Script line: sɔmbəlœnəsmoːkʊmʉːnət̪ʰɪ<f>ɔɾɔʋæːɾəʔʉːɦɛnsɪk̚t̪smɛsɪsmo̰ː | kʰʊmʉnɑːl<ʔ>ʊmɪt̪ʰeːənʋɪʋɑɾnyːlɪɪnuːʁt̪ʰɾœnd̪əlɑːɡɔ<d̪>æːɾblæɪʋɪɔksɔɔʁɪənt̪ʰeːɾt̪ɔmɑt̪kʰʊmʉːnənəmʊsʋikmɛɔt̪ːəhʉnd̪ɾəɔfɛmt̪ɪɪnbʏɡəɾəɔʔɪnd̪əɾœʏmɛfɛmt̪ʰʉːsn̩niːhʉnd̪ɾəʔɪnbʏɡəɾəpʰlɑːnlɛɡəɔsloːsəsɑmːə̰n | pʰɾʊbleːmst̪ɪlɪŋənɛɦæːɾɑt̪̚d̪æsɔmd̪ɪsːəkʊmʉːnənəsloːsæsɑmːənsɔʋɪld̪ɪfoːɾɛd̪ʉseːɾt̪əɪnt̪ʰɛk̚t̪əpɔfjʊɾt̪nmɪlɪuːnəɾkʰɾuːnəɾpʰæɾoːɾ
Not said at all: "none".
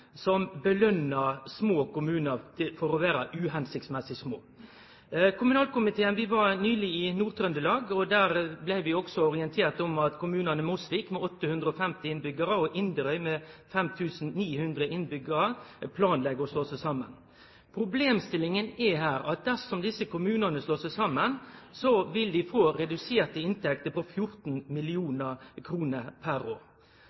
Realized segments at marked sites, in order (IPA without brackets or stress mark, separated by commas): f, k, d̪